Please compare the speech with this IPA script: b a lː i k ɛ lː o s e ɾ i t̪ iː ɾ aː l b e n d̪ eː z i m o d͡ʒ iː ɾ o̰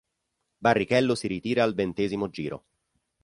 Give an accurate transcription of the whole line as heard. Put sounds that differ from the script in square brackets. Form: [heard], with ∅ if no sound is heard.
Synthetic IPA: b a [rː] i k ɛ lː o s [i] ɾ i t̪ iː ɾ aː l [v] e n [t̪] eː z i m o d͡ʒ iː ɾ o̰